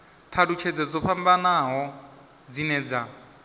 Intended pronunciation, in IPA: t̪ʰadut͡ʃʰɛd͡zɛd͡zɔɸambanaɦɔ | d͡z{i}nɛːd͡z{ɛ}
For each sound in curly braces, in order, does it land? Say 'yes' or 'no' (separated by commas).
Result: yes, no